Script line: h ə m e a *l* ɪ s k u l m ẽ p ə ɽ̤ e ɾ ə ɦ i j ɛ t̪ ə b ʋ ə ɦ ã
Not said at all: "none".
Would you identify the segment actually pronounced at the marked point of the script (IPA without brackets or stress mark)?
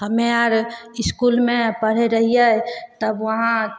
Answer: ɾ